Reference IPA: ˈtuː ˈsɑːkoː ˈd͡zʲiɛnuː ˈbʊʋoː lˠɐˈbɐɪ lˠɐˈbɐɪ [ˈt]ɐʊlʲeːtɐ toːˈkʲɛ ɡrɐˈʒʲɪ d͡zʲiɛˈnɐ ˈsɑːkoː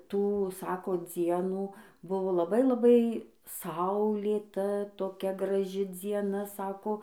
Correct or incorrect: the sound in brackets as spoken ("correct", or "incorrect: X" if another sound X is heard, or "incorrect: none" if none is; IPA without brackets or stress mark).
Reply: incorrect: s